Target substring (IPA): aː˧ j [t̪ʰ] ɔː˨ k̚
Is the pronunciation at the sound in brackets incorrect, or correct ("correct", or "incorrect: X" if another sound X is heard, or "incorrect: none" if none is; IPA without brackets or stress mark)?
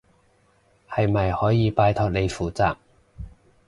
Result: correct